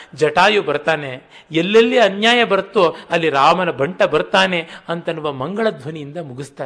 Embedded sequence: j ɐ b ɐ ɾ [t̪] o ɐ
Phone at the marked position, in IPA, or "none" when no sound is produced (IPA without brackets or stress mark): t̪